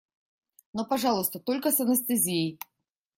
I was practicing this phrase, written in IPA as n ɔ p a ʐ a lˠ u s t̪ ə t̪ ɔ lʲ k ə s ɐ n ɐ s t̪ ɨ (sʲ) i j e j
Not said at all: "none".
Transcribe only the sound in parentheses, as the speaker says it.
zʲ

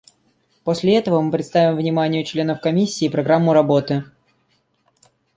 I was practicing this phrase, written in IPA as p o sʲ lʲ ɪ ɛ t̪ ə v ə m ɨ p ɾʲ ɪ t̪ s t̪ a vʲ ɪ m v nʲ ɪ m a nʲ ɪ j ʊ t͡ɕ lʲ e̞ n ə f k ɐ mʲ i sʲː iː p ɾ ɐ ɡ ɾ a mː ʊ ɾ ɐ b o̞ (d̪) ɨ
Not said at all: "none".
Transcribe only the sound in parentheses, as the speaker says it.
t̪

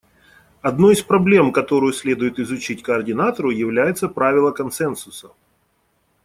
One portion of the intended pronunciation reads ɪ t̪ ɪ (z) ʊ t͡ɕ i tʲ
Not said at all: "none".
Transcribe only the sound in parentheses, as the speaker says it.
z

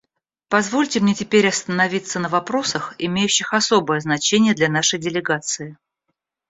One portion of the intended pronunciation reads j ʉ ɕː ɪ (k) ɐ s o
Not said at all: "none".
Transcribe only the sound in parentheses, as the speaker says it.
x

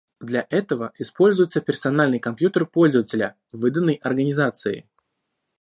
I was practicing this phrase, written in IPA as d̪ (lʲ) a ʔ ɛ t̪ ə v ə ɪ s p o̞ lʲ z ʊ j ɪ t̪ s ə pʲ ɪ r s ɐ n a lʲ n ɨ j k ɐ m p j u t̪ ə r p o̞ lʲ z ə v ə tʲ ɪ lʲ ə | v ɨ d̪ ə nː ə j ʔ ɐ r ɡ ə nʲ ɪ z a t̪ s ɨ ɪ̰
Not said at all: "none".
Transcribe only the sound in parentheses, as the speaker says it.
lʲ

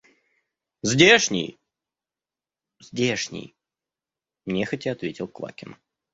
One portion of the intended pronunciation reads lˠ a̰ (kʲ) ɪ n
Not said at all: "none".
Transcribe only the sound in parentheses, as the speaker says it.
kʲ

